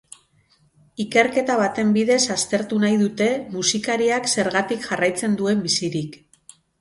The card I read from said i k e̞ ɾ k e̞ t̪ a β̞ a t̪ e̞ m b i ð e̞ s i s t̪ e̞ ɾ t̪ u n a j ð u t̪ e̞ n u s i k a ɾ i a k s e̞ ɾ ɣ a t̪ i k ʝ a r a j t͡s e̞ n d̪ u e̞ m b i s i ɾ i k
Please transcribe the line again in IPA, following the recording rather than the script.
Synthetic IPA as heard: i k e̞ ɾ k e̞ t̪ a β̞ a t̪ e̞ m b i ð e̞ s a s t̪ e̞ ɾ t̪ u n a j ð u t̪ e̞ m u s i k a ɾ i a k s e̞ ɾ ɣ a t̪ i k ʝ a r a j t͡s e̞ n d̪ u e̞ m b i s i ɾ i k